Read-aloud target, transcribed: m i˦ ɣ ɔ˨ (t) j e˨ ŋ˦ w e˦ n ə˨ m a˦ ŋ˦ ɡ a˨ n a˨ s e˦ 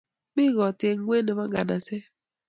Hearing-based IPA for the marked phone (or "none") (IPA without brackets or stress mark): t